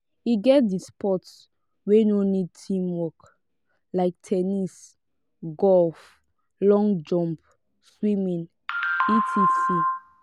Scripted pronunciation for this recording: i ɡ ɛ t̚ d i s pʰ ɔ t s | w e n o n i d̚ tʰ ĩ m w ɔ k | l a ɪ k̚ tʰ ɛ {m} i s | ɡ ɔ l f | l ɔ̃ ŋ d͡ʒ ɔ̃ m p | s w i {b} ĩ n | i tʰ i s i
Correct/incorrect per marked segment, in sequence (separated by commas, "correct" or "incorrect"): incorrect, incorrect